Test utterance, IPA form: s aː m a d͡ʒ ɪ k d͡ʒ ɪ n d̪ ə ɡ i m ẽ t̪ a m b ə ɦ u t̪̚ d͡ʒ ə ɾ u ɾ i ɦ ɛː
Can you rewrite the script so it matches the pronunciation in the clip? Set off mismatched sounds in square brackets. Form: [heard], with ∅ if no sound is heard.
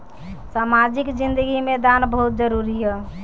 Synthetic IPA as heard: s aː m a d͡ʒ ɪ k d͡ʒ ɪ n d̪ ə ɡ i m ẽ [d̪] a [n] b ə ɦ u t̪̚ d͡ʒ ə ɾ u ɾ i ɦ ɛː